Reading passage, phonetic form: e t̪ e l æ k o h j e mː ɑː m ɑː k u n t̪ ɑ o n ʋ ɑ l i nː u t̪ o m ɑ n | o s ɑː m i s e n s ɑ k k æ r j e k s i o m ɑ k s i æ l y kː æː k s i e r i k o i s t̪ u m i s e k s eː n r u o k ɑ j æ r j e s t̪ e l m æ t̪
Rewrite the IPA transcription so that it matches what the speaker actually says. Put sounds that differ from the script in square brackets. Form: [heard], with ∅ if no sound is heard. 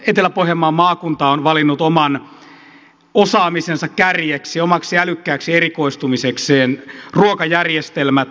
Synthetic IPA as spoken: e t̪ e l æ [p] o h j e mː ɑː m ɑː k u n t̪ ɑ o n ʋ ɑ l i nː u t̪ o m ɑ n | o s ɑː m i s e n s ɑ k k æ r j e k s i o m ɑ k s i æ l y kː æː k s i e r i k o i s t̪ u m i s e k s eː n r u o k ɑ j æ r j e s t̪ e l m æ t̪